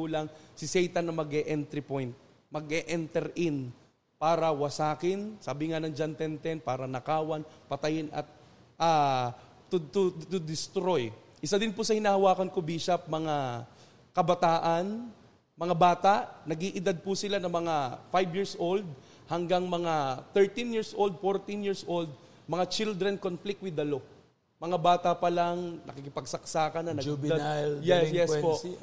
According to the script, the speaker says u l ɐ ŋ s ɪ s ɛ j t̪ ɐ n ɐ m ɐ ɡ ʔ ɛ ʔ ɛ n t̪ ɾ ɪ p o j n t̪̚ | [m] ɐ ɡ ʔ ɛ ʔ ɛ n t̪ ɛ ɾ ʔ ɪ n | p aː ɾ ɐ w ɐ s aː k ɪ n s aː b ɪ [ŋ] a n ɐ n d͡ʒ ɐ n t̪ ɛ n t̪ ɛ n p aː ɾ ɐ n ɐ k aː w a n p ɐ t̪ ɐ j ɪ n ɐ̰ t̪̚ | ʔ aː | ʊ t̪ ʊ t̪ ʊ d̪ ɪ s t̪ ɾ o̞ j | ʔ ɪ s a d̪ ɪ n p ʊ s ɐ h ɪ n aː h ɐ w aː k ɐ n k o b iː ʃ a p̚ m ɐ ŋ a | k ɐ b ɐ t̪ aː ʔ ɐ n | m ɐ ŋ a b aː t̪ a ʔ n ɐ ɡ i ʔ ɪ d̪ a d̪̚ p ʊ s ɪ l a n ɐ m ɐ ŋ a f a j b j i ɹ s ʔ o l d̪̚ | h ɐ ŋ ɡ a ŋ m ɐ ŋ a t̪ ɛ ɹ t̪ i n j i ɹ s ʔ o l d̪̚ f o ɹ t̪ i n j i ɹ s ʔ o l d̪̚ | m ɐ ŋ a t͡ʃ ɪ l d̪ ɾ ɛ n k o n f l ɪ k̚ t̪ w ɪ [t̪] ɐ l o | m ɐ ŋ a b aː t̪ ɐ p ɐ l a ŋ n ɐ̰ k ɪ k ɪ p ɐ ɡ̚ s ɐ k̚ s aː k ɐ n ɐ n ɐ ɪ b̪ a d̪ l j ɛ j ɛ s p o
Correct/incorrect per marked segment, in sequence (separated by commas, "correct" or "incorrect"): correct, correct, incorrect